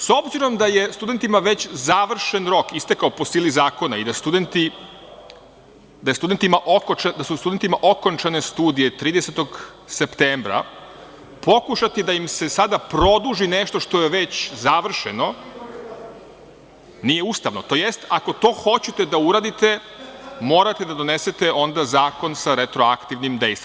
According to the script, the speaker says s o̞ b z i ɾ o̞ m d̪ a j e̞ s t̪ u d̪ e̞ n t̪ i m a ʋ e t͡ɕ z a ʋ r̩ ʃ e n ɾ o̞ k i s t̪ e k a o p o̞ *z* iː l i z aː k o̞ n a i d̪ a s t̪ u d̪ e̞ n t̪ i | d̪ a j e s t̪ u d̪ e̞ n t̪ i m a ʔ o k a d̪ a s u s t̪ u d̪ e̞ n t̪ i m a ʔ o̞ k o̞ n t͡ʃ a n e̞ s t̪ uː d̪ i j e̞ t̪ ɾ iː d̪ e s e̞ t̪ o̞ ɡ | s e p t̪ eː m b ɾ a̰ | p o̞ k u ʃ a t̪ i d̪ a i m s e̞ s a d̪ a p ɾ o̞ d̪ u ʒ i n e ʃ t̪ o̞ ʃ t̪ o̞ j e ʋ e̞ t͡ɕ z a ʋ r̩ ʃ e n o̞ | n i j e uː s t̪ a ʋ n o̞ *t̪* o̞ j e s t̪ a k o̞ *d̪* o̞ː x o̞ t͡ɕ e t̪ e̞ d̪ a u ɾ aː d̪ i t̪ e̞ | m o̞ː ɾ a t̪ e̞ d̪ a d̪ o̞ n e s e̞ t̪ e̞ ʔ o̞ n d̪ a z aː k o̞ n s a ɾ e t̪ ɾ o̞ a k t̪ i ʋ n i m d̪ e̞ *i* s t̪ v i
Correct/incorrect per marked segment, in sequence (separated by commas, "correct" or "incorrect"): incorrect, correct, incorrect, incorrect